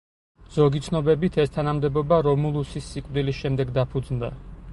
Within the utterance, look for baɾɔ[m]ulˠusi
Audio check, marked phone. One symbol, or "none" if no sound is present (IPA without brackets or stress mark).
m